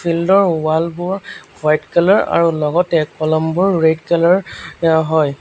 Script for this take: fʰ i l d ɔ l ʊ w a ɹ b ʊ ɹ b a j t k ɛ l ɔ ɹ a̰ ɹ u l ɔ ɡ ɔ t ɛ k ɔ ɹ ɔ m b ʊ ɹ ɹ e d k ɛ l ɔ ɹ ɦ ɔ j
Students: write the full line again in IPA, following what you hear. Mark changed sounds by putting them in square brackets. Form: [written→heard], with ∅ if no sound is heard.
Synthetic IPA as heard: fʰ i l d ɔ [l→ɹ] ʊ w a [ɹ→l] b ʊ ɹ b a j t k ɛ l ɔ ɹ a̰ ɹ u l ɔ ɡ ɔ t ɛ k ɔ [ɹ→l] ɔ m b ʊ ɹ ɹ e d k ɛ l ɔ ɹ ɦ ɔ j